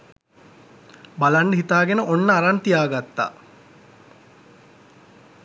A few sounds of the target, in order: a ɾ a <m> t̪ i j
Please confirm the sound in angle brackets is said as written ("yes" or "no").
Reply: no